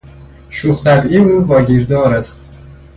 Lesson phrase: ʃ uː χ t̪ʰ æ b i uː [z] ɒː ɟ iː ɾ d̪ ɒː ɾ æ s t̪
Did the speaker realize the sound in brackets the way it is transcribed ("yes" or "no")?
no